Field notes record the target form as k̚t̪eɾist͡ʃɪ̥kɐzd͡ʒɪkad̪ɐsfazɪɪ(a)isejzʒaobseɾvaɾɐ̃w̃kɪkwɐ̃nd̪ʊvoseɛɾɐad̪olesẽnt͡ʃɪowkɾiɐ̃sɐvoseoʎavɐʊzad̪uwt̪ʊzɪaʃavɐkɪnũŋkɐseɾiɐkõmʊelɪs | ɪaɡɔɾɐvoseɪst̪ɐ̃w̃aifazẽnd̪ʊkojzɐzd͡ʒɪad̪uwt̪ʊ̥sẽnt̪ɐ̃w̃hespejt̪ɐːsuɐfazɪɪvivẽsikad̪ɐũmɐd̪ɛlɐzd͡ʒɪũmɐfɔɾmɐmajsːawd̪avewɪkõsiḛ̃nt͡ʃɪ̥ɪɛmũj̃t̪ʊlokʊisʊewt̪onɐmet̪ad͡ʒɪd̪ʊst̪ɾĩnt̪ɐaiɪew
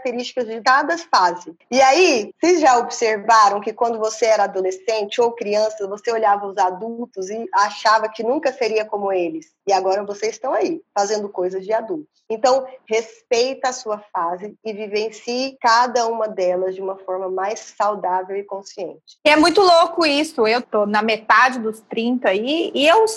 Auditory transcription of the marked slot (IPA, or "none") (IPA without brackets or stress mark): a